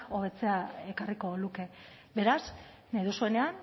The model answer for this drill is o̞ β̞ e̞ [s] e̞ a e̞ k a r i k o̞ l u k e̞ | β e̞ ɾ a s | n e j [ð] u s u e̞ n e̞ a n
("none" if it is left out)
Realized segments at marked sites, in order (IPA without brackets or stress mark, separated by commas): t͡s, ð